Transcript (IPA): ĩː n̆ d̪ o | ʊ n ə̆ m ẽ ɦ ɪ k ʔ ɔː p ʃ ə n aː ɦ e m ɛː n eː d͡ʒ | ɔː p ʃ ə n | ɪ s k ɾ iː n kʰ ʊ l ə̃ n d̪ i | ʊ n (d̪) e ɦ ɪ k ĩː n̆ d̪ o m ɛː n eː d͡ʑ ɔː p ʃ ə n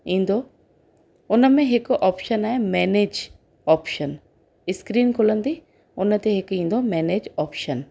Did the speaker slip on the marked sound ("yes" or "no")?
yes